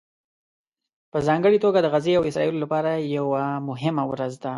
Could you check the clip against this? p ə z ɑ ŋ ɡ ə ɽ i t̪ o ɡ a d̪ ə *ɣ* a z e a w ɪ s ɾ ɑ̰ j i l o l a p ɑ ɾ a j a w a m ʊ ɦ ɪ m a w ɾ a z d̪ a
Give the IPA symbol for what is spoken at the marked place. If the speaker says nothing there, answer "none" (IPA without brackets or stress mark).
ɣ